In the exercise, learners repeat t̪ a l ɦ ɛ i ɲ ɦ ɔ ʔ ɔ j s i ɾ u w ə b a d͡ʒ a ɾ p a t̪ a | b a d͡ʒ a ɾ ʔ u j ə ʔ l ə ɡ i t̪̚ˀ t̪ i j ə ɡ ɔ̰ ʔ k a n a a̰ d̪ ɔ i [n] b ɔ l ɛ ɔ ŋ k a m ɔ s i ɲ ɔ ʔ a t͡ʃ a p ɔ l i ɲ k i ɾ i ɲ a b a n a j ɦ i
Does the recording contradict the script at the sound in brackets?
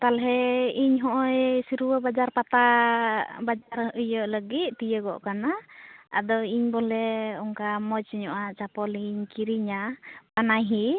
yes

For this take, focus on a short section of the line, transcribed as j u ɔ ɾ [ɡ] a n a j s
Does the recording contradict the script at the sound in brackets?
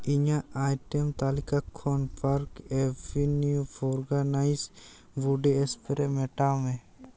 no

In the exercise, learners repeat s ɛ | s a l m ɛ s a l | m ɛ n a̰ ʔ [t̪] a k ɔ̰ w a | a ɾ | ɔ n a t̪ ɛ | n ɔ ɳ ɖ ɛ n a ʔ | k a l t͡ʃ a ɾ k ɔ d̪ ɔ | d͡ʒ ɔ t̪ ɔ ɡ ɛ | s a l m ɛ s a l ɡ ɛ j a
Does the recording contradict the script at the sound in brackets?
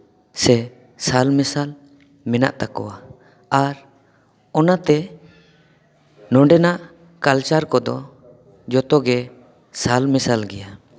no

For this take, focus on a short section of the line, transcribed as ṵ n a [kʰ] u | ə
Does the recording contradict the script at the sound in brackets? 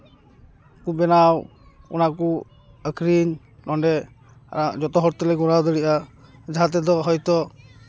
yes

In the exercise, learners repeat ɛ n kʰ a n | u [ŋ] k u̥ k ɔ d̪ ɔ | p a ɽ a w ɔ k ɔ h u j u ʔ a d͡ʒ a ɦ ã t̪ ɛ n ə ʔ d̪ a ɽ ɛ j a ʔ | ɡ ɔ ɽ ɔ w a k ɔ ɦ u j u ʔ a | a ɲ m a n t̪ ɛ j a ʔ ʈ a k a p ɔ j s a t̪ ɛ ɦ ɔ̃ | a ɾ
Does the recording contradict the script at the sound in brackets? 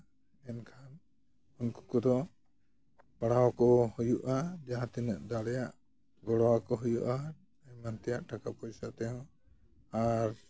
yes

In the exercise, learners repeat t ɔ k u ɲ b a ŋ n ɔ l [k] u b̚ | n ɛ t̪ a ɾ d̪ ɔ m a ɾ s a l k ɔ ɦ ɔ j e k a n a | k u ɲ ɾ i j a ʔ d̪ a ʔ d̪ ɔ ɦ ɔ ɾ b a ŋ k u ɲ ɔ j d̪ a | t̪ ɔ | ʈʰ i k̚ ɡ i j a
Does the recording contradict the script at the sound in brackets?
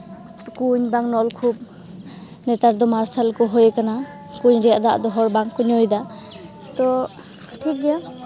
yes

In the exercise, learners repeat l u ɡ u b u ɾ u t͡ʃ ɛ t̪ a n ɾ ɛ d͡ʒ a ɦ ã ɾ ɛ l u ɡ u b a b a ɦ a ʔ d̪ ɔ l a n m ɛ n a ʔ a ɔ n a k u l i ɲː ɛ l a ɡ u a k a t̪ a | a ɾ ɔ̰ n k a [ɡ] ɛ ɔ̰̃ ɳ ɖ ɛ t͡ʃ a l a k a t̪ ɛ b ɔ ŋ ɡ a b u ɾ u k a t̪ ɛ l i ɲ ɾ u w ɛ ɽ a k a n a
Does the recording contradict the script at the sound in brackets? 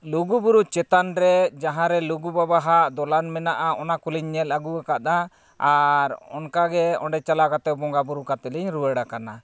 no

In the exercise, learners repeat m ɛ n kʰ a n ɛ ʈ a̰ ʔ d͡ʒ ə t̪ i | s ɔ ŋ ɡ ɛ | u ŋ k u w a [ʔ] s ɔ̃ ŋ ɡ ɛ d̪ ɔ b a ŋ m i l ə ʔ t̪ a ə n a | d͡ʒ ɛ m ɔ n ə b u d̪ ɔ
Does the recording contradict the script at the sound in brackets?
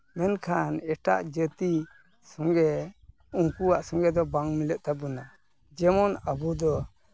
no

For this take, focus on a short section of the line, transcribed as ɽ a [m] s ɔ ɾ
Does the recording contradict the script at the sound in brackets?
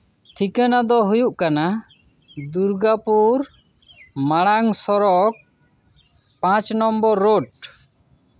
yes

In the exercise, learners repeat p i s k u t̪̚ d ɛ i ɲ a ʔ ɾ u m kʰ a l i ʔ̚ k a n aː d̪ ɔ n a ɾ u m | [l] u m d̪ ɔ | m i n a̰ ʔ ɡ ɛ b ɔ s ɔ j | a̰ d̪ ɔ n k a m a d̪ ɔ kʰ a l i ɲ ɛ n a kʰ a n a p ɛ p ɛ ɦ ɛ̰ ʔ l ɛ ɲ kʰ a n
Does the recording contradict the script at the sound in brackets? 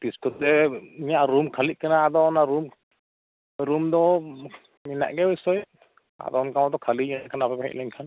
yes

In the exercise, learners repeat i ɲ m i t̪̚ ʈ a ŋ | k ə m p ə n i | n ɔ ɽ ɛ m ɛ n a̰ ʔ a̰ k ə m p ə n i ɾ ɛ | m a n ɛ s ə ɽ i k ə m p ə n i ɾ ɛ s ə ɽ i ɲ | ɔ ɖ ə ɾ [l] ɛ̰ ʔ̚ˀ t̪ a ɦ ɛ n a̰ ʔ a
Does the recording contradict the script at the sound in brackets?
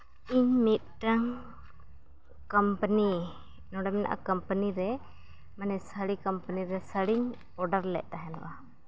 no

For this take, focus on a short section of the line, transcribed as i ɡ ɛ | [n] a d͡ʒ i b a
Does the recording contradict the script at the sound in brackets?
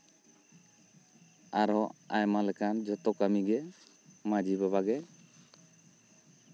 yes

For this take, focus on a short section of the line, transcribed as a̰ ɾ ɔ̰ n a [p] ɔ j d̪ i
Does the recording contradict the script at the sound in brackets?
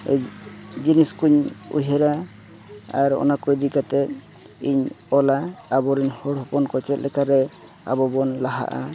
yes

